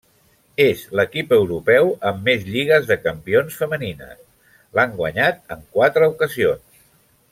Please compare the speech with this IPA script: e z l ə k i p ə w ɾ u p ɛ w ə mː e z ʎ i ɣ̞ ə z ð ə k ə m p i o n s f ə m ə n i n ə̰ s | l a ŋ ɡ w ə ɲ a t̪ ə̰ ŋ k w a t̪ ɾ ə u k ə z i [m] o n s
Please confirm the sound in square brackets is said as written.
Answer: no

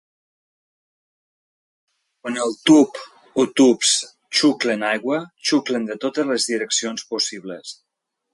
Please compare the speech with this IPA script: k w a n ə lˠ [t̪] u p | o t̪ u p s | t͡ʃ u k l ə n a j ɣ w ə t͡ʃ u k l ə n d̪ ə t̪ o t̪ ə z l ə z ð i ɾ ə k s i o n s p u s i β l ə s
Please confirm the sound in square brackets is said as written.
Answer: yes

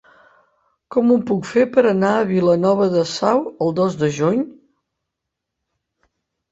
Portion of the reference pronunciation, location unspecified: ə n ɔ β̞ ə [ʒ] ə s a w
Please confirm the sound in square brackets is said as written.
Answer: no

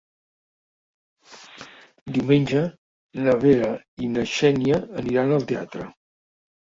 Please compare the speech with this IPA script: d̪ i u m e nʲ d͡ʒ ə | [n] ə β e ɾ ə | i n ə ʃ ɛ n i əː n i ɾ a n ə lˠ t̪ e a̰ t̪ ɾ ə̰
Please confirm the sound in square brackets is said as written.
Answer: yes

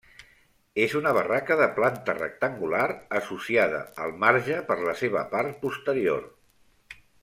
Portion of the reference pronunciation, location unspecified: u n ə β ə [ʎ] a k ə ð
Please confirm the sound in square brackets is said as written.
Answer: no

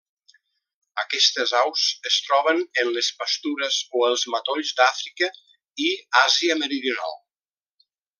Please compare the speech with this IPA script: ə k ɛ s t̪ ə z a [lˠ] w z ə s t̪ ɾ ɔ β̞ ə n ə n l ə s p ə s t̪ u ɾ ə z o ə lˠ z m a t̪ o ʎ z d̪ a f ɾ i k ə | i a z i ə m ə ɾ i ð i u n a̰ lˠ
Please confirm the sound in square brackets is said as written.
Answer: no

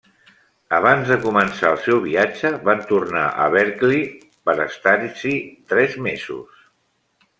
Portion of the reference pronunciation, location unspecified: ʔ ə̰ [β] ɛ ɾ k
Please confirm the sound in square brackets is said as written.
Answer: yes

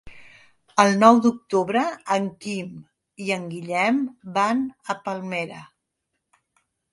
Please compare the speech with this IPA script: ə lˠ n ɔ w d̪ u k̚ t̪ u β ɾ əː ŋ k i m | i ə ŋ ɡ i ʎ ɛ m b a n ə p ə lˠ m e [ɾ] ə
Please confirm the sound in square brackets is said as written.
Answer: yes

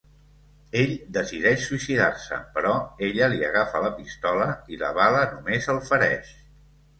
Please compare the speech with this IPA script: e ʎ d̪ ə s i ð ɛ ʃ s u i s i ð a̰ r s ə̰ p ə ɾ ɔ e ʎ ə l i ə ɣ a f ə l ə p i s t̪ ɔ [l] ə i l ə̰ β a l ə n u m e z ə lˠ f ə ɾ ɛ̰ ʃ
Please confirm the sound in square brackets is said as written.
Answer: yes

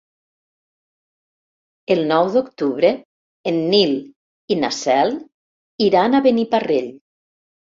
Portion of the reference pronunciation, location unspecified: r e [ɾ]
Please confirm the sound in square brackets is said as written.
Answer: no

